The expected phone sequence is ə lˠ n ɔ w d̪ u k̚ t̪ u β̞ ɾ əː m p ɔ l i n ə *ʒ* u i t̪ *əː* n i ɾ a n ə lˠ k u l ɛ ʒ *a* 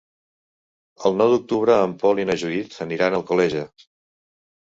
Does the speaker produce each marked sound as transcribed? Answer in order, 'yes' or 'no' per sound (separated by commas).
yes, no, no